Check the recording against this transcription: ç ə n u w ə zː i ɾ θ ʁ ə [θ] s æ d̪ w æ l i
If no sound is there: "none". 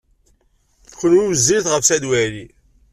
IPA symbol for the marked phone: f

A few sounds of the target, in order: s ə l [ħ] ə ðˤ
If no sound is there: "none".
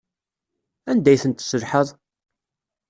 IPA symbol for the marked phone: ħ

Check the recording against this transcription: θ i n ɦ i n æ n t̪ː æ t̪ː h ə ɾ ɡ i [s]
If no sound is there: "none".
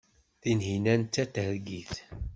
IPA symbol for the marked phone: θ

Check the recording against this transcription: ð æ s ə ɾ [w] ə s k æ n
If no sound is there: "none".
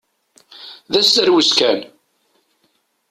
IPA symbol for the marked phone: w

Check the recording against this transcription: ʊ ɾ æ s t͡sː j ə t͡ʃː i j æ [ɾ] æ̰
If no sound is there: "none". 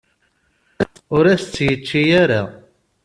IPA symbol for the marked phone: ɾ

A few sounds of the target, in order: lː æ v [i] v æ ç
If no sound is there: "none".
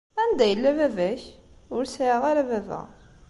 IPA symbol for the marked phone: æ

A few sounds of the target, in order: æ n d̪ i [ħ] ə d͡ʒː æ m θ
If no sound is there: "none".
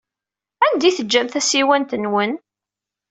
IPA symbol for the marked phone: θ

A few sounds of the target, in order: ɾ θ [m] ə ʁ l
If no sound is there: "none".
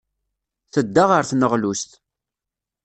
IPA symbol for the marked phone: n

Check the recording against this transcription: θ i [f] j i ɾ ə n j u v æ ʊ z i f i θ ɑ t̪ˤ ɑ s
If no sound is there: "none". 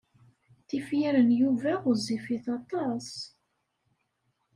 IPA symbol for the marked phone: f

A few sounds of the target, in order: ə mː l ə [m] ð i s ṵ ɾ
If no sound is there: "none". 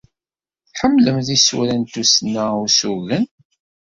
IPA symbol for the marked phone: m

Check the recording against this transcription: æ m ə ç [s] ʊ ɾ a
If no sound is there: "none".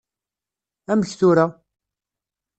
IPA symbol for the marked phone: θ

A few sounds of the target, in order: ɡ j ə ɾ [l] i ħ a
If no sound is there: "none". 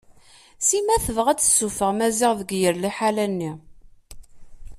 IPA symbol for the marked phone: l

